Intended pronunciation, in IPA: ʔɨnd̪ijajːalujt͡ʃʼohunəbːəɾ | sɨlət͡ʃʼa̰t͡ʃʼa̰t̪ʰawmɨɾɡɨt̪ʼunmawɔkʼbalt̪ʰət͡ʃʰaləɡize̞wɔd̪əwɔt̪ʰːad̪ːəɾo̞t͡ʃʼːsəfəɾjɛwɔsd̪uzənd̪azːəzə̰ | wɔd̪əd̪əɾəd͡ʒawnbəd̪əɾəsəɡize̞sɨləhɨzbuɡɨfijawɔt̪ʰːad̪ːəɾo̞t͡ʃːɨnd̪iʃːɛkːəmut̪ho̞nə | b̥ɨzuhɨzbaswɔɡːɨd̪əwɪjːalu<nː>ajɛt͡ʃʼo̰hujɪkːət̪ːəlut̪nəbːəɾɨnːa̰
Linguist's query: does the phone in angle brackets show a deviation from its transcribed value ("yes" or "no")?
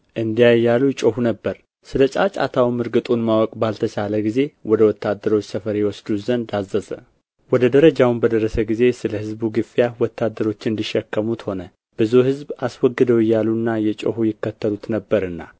no